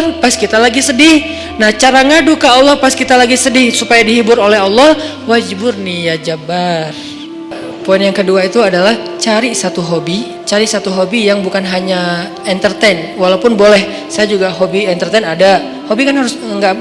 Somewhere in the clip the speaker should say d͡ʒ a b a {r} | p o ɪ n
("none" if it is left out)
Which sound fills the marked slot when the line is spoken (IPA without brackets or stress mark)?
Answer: r